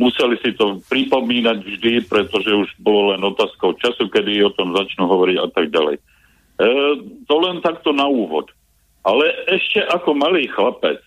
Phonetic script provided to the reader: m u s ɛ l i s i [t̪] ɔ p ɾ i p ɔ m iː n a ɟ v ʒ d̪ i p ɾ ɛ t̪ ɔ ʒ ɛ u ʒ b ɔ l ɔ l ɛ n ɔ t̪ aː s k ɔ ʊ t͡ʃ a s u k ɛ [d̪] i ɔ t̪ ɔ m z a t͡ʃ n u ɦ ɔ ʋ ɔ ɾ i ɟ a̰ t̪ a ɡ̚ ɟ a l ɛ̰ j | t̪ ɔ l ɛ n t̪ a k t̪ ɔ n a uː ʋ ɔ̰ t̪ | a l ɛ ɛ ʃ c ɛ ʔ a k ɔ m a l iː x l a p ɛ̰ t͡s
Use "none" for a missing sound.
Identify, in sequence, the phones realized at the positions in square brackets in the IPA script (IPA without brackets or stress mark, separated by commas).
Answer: t̪, d̪